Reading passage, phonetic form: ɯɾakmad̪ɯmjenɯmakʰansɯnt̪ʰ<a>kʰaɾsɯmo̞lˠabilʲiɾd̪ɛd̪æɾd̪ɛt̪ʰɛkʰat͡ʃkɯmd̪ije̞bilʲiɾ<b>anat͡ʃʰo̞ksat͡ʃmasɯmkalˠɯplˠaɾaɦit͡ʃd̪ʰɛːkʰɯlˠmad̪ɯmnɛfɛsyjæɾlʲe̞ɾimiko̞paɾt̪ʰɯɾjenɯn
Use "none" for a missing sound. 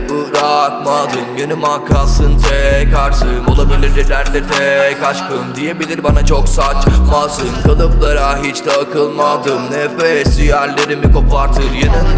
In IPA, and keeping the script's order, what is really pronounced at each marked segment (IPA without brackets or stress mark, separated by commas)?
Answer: ɛ, b